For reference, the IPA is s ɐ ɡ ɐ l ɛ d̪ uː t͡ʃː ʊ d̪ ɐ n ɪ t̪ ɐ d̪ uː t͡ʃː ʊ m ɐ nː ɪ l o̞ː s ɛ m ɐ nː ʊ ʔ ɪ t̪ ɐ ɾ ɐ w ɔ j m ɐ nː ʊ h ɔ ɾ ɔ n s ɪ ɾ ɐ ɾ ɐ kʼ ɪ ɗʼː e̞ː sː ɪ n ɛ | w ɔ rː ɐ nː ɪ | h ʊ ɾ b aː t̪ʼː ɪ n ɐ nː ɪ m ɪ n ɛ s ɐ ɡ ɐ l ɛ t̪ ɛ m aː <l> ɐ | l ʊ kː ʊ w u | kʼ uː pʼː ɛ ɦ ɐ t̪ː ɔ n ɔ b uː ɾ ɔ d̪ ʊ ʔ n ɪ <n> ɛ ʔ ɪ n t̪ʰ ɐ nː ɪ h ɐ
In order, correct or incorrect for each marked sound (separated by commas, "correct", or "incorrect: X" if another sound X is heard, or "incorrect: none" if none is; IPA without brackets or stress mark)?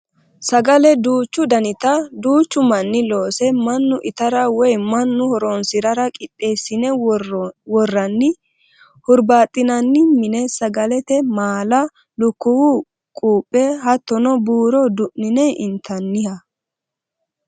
correct, correct